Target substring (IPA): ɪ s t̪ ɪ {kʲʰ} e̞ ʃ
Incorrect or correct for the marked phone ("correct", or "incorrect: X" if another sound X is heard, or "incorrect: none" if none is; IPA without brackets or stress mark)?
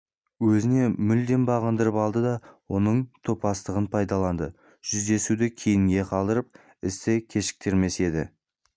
correct